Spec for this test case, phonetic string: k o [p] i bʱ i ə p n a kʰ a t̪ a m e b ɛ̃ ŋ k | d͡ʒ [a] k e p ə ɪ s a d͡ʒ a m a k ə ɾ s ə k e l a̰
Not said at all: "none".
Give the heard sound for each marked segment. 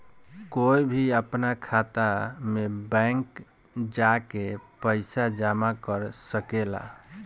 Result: none, a

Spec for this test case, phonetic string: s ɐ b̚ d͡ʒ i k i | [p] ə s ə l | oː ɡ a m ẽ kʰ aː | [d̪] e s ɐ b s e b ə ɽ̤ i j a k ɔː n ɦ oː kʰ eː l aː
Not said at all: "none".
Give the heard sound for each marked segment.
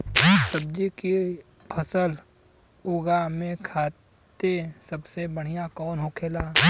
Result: pʰ, t̪

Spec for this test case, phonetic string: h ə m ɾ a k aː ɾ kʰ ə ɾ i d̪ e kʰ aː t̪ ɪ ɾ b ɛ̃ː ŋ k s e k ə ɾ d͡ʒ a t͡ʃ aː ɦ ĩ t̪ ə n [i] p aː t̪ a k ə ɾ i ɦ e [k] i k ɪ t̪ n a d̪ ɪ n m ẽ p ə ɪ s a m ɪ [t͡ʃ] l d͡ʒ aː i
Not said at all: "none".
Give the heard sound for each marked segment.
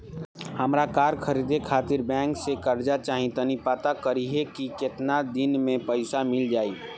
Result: i, k, none

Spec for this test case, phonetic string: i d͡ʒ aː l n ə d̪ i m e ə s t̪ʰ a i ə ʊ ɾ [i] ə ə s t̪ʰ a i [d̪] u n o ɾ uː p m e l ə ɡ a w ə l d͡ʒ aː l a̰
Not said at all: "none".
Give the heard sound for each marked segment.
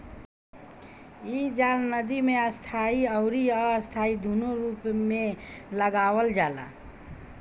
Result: i, d̪

